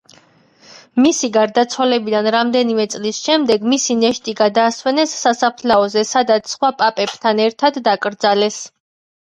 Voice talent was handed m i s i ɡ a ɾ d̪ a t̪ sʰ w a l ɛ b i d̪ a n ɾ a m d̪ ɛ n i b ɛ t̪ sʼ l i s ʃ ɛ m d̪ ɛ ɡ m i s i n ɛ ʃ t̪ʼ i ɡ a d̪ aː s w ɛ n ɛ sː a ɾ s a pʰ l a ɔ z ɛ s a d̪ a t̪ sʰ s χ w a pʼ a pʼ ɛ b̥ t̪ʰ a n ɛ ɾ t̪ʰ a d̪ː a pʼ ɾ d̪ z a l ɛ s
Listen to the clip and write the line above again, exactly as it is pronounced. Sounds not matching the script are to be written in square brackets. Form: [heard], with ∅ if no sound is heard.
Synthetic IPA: m i s i ɡ a ɾ d̪ a t̪ sʰ w a l ɛ b i d̪ a n ɾ a m d̪ ɛ n i [m] ɛ t̪ sʼ l i s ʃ ɛ m d̪ ɛ ɡ m i s i n ɛ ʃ t̪ʼ i ɡ a d̪ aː s w ɛ n ɛ sː a [∅] s a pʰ l a ɔ z ɛ s a d̪ a t̪ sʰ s χ w a pʼ a pʼ ɛ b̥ t̪ʰ a n ɛ ɾ t̪ʰ a d̪ː a [kʼ] ɾ d̪ z a l ɛ s